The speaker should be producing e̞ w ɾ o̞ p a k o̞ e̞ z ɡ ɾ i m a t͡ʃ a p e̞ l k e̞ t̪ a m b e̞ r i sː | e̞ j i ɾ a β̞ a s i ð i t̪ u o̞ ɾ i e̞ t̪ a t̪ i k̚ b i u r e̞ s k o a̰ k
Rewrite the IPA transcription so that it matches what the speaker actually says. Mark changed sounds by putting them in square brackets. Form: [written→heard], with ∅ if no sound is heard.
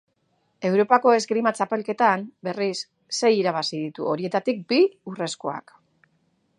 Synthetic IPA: e̞ w ɾ o̞ p a k o̞ e̞ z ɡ ɾ i m a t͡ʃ a p e̞ l k e̞ t̪ a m b e̞ r i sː | e̞ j i ɾ a β̞ a s i ð i t̪ u o̞ ɾ i e̞ t̪ a t̪ i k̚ b i u r e̞ s k o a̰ k

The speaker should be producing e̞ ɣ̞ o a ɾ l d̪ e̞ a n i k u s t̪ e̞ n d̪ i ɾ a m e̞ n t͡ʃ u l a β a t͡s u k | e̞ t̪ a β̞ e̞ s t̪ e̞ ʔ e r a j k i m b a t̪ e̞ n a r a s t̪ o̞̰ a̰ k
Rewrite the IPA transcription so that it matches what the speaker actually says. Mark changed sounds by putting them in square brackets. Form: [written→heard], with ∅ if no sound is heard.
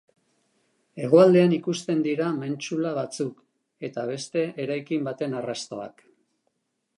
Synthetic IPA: e̞ ɣ̞ o a [ɾ→∅] l d̪ e̞ a n i k u s t̪ e̞ n d̪ i ɾ a m e̞ n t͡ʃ u l a β a t͡s u k | e̞ t̪ a β̞ e̞ s t̪ e̞ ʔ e [r→ɾ] a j k i m b a t̪ e̞ n a r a s t̪ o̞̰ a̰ k

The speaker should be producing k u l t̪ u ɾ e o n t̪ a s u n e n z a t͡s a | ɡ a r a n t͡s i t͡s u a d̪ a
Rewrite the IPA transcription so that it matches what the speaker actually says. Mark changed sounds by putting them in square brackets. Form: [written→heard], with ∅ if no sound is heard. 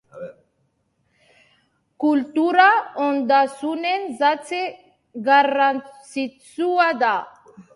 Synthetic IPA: k u l t̪ u ɾ [e→a] o n [t̪→d̪] a s u n e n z a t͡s [a→e] | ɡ a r a n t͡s i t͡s u a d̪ a

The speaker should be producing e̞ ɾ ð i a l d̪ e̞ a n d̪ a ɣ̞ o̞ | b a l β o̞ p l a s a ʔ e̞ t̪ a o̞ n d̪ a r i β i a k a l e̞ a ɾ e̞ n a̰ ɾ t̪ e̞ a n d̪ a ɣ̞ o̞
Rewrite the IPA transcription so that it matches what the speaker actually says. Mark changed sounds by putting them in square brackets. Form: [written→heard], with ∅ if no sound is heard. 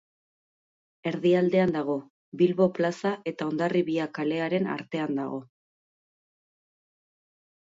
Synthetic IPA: e̞ ɾ ð i a l d̪ e̞ a n d̪ a ɣ̞ o̞ | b [a→i] l β o̞ p l a s a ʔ e̞ t̪ a o̞ n d̪ a r i β i a k a l e̞ a ɾ e̞ n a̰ ɾ t̪ e̞ a n d̪ a ɣ̞ o̞

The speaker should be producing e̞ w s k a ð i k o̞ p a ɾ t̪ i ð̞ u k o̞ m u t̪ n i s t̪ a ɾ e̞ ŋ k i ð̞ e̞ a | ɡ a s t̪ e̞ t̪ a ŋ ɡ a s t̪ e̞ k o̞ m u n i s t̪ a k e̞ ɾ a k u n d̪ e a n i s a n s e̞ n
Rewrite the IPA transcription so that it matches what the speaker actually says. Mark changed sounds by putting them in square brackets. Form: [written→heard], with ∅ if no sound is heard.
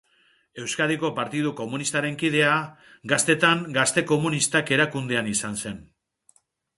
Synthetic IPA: e̞ w s k a ð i k o̞ p a ɾ t̪ i ð̞ u k o̞ m u [t̪→∅] n i s t̪ a ɾ e̞ ŋ k i ð̞ e̞ a | ɡ a s t̪ e̞ t̪ a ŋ ɡ a s t̪ e̞ k o̞ m u n i s t̪ a k e̞ ɾ a k u n d̪ e a n i s a n s e̞ n

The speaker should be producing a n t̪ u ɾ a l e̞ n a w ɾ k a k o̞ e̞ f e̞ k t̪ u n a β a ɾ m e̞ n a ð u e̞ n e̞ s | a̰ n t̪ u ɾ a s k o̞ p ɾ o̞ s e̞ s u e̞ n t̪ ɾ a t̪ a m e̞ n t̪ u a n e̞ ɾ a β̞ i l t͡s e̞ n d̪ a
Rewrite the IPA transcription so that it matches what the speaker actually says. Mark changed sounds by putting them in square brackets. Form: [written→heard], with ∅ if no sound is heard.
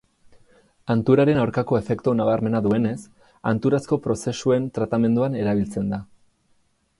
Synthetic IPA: a n t̪ u ɾ a [l→ɾ] e̞ n a w ɾ k a k o̞ e̞ f e̞ k t̪ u n a β a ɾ m e̞ n a ð u e̞ n e̞ s | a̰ n t̪ u ɾ a s k o̞ p ɾ o̞ s e̞ s u e̞ n t̪ ɾ a t̪ a m e̞ n [t̪→d̪] u a n e̞ ɾ a β̞ i l t͡s e̞ n d̪ a

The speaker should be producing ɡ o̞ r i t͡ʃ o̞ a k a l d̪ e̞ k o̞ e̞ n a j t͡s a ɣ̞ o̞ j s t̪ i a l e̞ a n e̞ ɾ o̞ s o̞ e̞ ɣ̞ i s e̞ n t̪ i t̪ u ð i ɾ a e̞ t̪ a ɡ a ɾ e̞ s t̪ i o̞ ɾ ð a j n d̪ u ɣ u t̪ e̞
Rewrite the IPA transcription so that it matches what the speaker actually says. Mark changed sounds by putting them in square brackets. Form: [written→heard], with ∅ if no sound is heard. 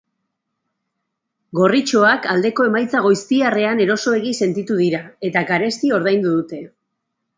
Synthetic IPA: ɡ o̞ r i t͡ʃ o̞ a k a l d̪ e̞ k o̞ e̞ [n→m] a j t͡s a ɣ̞ o̞ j s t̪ i a [l→r] e̞ a n e̞ ɾ o̞ s o̞ e̞ ɣ̞ i s e̞ n t̪ i t̪ u ð i ɾ a e̞ t̪ a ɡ a ɾ e̞ s t̪ i o̞ ɾ ð a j n d̪ u [ɣ→ð] u t̪ e̞

